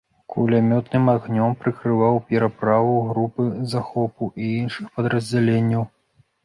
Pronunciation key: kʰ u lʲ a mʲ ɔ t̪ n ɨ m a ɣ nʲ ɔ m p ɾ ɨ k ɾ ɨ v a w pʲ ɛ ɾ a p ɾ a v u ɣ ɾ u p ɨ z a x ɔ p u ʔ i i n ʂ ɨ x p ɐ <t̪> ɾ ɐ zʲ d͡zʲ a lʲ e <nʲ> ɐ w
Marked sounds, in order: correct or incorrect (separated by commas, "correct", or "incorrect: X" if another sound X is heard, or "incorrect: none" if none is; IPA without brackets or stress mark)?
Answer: incorrect: d̪, incorrect: nʲː